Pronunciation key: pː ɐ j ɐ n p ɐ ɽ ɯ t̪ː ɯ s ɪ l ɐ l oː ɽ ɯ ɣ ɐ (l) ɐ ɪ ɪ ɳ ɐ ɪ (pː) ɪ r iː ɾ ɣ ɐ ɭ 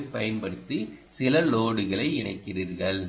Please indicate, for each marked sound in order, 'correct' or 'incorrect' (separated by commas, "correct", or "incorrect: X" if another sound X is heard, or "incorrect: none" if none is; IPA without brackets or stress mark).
incorrect: ɭ, incorrect: kː